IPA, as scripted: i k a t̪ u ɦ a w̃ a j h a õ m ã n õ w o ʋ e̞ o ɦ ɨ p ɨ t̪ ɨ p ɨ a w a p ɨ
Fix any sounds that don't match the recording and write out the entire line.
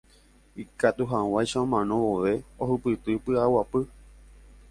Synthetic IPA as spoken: i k a t̪ u ɦ a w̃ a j ʃ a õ m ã n õ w o ʋ e̞ o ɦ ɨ p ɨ t̪ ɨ p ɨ a w a p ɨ